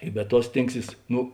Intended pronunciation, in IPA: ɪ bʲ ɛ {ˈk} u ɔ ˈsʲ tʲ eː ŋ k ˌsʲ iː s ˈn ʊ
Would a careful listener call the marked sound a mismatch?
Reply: yes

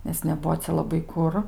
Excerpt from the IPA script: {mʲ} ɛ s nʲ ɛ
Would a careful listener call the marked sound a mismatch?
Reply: yes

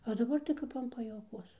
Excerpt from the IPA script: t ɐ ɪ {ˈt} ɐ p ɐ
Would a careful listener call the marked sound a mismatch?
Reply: yes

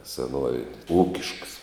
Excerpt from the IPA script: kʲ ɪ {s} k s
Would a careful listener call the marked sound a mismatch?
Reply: yes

